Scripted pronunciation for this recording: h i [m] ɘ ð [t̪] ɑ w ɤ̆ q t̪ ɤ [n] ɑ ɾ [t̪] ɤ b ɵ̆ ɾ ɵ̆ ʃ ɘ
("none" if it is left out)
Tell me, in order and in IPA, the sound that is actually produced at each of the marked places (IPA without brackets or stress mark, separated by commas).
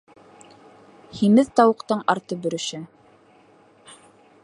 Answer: m, t̪, ɴ, t̪